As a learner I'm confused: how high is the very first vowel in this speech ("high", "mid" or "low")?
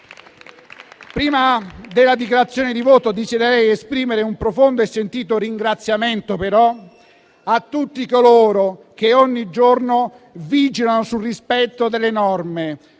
high